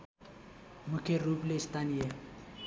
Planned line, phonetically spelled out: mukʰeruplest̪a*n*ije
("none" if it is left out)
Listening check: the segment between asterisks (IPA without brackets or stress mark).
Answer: n